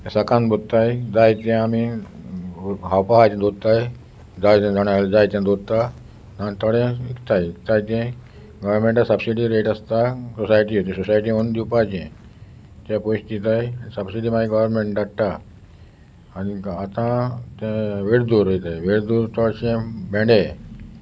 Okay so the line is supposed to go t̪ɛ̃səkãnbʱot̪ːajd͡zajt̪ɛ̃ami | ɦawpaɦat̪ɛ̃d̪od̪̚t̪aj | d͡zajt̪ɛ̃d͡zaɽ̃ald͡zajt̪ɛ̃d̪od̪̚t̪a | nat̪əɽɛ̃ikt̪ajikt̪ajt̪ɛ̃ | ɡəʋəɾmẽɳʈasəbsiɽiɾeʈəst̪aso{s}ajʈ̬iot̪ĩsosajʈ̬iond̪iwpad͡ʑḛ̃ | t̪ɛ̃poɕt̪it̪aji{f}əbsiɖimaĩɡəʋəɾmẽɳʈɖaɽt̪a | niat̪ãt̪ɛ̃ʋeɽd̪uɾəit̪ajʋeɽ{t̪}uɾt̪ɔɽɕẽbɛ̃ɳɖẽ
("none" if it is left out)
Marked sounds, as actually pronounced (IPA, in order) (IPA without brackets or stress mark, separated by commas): s, s, d̪